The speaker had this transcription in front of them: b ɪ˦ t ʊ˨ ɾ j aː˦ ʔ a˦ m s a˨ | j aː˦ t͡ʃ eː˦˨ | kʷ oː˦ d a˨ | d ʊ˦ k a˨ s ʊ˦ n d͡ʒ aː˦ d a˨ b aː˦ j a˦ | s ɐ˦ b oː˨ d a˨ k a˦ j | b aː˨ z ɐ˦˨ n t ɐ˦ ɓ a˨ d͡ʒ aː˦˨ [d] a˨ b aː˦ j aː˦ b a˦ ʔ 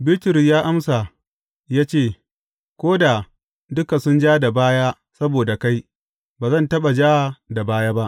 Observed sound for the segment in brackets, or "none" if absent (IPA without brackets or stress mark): d